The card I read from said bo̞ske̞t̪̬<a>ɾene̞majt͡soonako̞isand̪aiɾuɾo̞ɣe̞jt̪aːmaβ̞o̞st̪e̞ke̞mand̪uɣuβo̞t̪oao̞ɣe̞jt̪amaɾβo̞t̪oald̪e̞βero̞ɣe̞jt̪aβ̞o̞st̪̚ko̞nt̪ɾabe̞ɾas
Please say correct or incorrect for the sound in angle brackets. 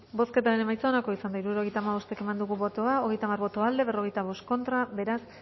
correct